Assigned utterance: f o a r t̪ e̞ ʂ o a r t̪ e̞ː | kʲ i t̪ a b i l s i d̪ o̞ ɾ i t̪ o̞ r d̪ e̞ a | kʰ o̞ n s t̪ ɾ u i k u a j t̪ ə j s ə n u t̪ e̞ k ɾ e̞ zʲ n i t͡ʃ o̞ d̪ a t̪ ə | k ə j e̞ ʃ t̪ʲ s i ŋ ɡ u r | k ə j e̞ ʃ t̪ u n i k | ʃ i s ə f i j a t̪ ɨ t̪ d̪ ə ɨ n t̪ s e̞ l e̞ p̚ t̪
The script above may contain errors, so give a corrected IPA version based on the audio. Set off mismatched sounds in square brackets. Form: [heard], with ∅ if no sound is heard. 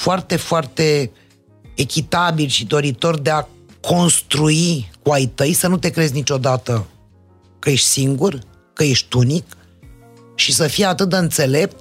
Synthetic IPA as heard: f o a r t̪ e̞ [f] o a r t̪ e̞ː | kʲ i t̪ a b i l [ʃ] i d̪ o̞ ɾ i t̪ o̞ r d̪ e̞ a | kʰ o̞ n s t̪ ɾ u i k u a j t̪ ə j s ə n u t̪ e̞ k ɾ e̞ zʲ n i t͡ʃ o̞ d̪ a t̪ ə | k ə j e̞ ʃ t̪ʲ s i ŋ ɡ u r | k ə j e̞ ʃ t̪ u n i k | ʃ i s ə f i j a t̪ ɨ t̪ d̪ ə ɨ n t̪ s e̞ l e̞ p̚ t̪